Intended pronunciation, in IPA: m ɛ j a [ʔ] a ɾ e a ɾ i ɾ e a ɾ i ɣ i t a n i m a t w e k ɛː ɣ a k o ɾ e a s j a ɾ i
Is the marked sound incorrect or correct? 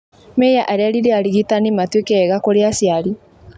correct